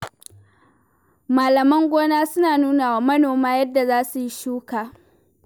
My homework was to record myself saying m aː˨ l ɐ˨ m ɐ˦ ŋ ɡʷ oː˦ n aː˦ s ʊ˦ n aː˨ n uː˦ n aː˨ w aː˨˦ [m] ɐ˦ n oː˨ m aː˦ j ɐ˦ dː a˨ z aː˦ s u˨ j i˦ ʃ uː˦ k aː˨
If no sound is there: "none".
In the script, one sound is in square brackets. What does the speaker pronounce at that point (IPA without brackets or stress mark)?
m